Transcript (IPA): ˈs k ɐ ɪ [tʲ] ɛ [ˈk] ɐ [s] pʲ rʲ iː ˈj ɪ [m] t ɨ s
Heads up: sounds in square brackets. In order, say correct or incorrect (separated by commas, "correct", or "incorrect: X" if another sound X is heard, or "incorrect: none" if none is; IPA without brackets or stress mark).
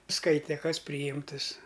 correct, correct, correct, correct